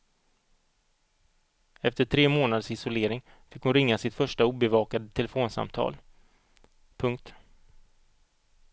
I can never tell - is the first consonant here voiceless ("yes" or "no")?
yes